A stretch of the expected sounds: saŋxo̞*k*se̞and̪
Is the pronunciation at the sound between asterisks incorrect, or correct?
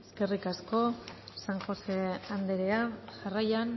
incorrect: none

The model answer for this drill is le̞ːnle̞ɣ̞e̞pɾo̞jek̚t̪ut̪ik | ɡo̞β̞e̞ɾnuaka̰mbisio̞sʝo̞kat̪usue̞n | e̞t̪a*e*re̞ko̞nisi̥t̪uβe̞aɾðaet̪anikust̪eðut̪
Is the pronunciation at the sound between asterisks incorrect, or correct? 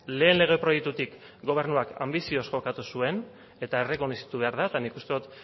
correct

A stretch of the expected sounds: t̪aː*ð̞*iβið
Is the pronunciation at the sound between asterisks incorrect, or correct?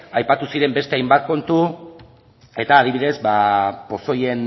correct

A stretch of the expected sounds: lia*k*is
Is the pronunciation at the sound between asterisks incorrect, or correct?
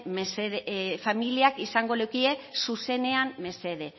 correct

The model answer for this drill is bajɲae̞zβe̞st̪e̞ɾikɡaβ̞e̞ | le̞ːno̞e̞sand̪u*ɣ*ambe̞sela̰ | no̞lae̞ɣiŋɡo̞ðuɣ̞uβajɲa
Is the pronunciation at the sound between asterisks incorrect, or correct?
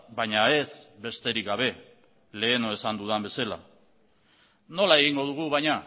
incorrect: ð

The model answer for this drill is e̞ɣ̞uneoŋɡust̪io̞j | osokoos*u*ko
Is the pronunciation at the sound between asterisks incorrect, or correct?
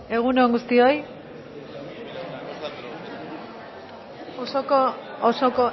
incorrect: o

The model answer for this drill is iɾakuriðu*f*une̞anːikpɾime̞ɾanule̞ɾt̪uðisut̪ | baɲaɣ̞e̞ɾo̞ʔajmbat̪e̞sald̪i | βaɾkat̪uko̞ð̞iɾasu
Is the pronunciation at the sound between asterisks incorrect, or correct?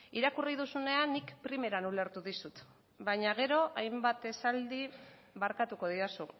incorrect: s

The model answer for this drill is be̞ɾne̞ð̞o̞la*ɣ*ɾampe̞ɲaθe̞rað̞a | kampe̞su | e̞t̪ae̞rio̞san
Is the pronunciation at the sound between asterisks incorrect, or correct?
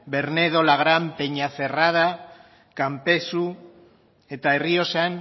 correct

